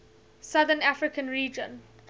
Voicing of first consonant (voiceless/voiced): voiceless